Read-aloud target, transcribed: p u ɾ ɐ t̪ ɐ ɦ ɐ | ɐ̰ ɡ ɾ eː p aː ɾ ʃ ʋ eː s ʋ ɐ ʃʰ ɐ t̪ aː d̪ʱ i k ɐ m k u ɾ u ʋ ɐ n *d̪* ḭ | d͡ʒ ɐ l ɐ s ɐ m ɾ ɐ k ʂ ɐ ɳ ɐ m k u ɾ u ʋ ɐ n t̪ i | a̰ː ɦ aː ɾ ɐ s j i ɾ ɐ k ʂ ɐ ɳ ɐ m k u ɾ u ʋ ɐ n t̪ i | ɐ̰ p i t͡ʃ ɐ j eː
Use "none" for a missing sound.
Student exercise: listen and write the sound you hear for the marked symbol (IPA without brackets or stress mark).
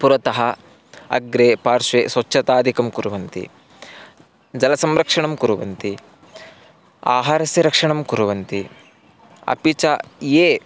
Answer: t̪